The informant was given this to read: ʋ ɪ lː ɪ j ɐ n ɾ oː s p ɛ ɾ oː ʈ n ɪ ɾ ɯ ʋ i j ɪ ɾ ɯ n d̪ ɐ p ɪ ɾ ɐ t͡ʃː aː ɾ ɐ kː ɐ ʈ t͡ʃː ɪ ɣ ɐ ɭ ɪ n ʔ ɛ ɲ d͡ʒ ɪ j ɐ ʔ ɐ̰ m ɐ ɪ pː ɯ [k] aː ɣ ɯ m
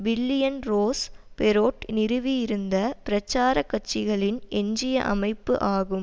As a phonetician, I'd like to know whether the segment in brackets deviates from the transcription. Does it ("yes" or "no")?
yes